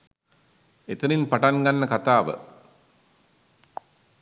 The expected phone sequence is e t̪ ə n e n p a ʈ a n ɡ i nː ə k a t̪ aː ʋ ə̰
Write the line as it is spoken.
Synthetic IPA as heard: e t̪ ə n i n p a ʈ a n ɡ a nː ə k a t̪ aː ʋ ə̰